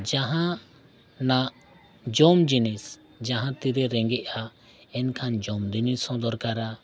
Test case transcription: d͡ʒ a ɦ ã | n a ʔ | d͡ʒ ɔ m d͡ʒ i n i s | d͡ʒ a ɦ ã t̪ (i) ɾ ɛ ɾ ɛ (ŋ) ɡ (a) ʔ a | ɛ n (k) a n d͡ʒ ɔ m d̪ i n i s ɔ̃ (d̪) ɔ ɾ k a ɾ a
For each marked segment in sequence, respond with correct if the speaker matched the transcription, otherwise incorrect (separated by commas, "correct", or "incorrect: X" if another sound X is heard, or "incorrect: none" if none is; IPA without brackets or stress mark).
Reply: correct, correct, incorrect: ɛ, incorrect: kʰ, correct